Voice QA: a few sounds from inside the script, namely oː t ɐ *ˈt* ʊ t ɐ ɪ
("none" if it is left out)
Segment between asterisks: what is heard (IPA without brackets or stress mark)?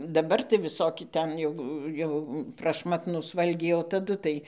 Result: d